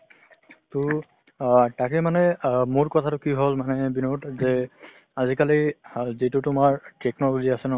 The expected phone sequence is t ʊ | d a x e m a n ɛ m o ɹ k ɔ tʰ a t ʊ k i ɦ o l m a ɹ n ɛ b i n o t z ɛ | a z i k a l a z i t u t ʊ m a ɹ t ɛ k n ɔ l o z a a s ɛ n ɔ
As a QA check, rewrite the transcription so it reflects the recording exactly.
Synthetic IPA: t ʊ | t a k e m a n ɛ m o ɹ k ɔ tʰ a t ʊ k i ɦ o l m a n ɛ b i n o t z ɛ | a z i k a l i z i t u t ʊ m a ɹ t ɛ k n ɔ l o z i a s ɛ n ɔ

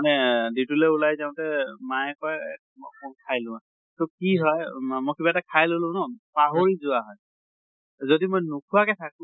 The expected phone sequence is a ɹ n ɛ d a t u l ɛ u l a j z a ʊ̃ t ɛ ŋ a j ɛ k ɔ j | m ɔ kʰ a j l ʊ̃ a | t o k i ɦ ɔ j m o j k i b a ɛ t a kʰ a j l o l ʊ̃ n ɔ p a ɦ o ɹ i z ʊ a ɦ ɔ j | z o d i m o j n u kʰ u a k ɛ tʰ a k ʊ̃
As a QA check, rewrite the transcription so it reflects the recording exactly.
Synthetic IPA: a n ɛ d i t u l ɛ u l a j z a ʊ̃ t ɛ m a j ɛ k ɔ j | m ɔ kʰ a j l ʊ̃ a | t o k i ɦ ɔ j m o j k i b a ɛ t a kʰ a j l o l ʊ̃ n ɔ p a ɦ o ɹ i z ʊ a ɦ ɔ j | z o d i m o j n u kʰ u a k ɛ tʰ a k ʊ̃

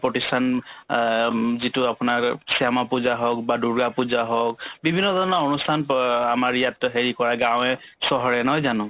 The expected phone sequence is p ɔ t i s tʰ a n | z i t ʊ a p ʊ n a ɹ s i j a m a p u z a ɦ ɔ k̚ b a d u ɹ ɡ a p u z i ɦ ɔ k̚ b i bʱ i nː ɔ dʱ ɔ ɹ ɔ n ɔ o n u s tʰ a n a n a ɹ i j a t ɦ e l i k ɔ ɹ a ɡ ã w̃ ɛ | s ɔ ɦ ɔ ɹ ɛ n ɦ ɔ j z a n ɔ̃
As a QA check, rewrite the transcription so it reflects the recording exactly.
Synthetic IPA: p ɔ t i s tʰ a n | z i t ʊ a p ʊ n a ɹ s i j a m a p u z a ɦ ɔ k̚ b a d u ɹ ɡ a p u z a ɦ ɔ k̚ b i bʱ i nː ɔ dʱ ɔ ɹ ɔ n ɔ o n u s tʰ a n a m a ɹ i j a t ɦ e ɹ i k ɔ ɹ a ɡ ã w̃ ɛ | s ɔ ɦ ɔ ɹ ɛ n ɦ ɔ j z a n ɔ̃

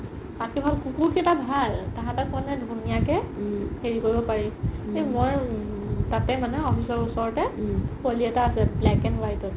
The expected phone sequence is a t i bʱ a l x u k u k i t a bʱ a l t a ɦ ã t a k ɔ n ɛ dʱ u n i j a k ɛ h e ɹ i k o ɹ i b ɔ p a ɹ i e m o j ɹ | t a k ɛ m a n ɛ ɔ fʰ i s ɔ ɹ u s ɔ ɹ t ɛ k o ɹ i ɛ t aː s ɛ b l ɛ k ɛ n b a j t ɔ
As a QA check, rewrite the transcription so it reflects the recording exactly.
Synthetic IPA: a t i bʱ a l k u k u k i t a bʱ a l t a ɦ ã t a k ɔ n ɛ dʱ u n i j a k ɛ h e ɹ i k o ɹ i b ɔ p a ɹ i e m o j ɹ | t a t ɛ m a n ɛ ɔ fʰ i s ɔ ɹ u s ɔ ɹ t ɛ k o l i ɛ t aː s ɛ b l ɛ k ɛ n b a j t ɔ

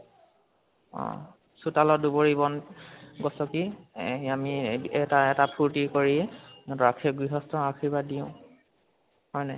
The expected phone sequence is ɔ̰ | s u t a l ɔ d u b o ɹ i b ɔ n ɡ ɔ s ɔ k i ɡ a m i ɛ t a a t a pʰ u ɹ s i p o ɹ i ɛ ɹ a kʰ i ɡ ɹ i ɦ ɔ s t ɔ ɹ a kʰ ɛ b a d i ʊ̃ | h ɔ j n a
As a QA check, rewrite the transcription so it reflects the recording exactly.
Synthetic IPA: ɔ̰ | s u t a l ɔ d u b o ɹ i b ɔ n ɡ ɔ s ɔ k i a m i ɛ t a ɛ t a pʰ u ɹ t i k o ɹ i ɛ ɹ a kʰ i ɡ ɹ i ɦ ɔ s t ɔ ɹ a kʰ i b a d i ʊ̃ | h ɔ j n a

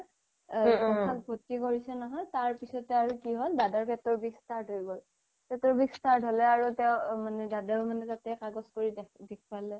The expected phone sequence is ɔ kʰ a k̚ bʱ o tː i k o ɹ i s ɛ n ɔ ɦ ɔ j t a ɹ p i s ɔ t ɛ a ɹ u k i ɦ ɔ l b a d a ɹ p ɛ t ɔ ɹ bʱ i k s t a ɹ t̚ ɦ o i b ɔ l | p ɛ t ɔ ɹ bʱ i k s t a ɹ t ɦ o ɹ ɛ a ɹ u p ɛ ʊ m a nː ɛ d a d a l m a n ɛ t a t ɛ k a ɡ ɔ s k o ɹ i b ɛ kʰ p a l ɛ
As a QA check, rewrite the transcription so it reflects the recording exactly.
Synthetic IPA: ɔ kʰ a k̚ bʱ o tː i k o ɹ i s ɛ n ɔ ɦ ɔ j t a ɹ p i s ɔ t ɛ a ɹ u k i ɦ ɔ l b a d a ɹ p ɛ t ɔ ɹ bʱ i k s t a ɹ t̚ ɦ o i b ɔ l | p ɛ t ɔ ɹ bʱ i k s t a ɹ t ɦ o l ɛ a ɹ u t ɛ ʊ m a n ɛ d a d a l m a n ɛ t a t ɛ k a ɡ ɔ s k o ɹ i d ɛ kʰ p a l ɛ

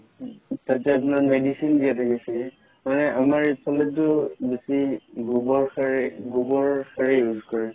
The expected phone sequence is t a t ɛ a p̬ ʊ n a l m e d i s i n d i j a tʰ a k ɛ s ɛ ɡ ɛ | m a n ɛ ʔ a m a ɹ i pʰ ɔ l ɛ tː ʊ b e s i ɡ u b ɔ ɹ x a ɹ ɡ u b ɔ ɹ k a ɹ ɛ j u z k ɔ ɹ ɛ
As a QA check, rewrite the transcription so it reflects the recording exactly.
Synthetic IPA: t a t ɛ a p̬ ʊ n a ɹ m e d i s i n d i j a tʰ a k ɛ s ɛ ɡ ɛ | m a n ɛ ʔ a m a ɹ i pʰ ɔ l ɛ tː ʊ b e s i ɡ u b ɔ ɹ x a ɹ ɡ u b ɔ ɹ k a ɹ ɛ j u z k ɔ ɹ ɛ

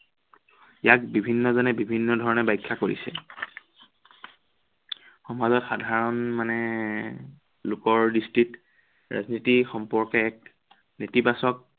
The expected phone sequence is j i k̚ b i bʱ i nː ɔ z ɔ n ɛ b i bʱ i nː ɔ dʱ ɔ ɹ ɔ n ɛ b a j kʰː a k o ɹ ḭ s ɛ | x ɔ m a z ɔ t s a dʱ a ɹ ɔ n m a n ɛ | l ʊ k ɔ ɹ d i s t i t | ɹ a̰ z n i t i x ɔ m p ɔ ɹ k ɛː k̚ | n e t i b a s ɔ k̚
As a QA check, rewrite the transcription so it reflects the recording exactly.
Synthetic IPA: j a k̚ b i bʱ i nː ɔ z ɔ n ɛ b i bʱ i nː ɔ dʱ ɔ ɹ ɔ n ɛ b a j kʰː a k o ɹ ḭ s ɛ | x ɔ m a z ɔ t x a dʱ a ɹ ɔ n m a n ɛ | l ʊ k ɔ ɹ d i s t i t | ɹ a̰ z n i t i x ɔ m p ɔ ɹ k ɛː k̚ | n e t i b a s ɔ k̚

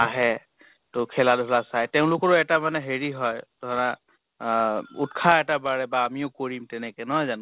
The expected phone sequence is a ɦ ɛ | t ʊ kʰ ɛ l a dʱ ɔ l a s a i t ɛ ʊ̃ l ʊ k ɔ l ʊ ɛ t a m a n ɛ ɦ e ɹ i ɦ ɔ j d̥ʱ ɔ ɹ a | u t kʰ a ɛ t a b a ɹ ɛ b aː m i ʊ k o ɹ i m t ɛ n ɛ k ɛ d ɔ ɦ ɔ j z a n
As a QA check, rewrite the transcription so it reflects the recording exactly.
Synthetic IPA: a ɦ ɛ | t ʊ kʰ ɛ l a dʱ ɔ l a s a j t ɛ ʊ̃ l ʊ k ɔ ɹ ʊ ɛ t a m a n ɛ ɦ e ɹ i ɦ ɔ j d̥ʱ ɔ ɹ a | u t kʰ a ɛ t a b a ɹ ɛ b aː m i ʊ k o ɹ i m t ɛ n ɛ k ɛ n ɔ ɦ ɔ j z a n

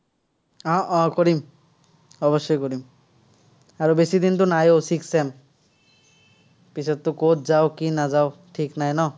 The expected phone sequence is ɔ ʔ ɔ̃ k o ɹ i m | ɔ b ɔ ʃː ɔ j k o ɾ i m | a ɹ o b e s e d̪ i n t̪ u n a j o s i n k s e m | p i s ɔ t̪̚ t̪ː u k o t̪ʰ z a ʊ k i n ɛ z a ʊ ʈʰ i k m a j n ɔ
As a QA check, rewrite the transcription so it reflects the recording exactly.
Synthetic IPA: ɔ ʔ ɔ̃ k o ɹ i m | ɔ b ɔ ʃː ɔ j k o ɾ i m | a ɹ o b e s i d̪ i n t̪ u n a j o s i k s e m | p i s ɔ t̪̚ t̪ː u k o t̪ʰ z a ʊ k i n a z a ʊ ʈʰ i k n a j n ɔ

